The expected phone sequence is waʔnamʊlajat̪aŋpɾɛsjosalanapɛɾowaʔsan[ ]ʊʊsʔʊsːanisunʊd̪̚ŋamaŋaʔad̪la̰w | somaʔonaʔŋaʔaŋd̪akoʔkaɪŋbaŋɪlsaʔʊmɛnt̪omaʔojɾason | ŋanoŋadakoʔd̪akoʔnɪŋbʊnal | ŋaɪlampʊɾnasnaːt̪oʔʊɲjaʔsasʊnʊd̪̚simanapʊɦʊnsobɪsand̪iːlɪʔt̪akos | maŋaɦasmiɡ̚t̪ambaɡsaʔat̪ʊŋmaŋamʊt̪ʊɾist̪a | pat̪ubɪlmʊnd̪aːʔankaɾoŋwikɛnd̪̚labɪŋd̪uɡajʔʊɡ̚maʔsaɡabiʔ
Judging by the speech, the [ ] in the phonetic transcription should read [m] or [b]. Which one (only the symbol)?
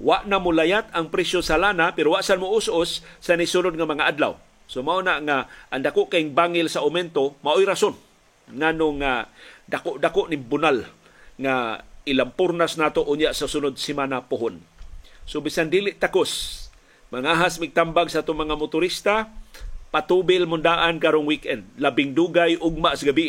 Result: m